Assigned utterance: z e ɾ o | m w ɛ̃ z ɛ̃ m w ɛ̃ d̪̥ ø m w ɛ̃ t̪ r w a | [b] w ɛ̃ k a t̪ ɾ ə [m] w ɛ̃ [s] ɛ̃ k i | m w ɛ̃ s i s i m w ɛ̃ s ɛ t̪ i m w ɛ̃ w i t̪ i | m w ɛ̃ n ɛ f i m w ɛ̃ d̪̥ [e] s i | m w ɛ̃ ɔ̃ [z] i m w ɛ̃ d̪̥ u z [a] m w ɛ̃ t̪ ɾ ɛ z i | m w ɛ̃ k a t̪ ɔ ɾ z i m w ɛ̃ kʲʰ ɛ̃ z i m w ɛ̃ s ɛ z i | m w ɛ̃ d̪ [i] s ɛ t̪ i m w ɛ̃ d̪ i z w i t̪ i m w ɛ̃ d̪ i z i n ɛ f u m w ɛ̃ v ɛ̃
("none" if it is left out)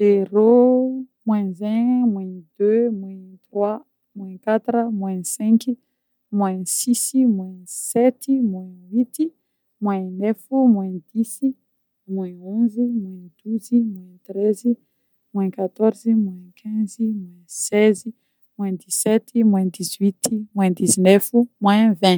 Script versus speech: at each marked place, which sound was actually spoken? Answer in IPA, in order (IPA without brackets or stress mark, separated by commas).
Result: m, m, s, i, z, i, i